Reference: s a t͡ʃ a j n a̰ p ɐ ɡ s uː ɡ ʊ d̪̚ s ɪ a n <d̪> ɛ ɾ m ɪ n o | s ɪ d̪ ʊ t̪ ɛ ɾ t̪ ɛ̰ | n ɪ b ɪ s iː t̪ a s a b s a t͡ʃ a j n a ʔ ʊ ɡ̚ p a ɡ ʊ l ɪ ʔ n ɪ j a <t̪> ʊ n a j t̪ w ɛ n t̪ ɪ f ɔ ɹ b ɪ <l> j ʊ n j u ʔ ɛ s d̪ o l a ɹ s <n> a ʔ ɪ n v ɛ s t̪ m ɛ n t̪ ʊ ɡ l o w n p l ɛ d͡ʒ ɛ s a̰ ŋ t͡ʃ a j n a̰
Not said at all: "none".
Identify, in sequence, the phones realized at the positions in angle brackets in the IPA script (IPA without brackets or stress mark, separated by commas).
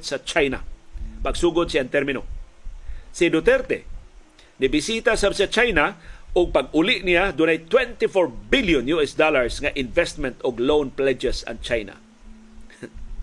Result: t̪, d̪, l, ŋ